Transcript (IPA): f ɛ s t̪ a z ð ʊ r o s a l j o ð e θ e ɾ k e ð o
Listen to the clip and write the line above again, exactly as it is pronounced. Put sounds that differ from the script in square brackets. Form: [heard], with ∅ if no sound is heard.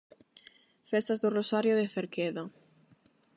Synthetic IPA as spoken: f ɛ s t̪ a z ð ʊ r o s a [ɾ] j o ð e θ e ɾ k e ð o